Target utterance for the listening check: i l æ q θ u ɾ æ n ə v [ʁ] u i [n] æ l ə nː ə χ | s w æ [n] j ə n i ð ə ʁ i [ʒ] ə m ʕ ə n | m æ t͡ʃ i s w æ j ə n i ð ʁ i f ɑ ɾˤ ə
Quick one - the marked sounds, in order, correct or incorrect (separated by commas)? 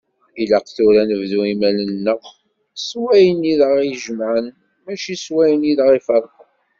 incorrect, incorrect, incorrect, correct